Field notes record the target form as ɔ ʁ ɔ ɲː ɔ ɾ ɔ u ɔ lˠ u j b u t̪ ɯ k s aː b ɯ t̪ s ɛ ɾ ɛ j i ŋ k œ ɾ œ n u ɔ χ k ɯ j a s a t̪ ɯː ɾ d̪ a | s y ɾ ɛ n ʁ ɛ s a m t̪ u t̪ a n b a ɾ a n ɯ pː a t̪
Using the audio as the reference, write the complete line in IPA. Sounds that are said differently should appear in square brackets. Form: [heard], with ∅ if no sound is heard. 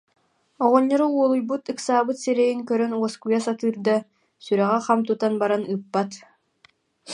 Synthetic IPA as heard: ɔ ʁ ɔ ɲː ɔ ɾ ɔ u ɔ lˠ u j b u t̪ ɯ k s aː b ɯ t̪ s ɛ ɾ ɛ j i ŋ k œ ɾ œ n u ɔ [s] k [u] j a s a t̪ ɯː ɾ d̪ a | s y ɾ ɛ [∅] ʁ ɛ [χ] a m t̪ u t̪ a n b a ɾ a n ɯ pː a t̪